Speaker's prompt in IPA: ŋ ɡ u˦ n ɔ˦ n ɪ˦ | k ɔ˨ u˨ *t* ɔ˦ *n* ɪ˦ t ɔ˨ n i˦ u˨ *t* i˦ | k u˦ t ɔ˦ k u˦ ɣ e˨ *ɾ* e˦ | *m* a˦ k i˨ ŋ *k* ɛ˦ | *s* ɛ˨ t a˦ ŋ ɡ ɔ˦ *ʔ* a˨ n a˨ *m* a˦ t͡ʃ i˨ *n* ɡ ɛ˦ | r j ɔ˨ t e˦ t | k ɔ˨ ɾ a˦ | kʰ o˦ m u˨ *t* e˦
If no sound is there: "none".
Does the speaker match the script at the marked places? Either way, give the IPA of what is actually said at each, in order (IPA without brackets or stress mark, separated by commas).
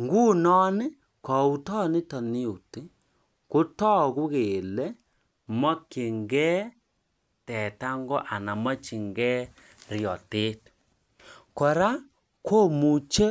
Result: t, n, t, l, m, ɡ, t, ʔ, m, ŋ, t͡ʃ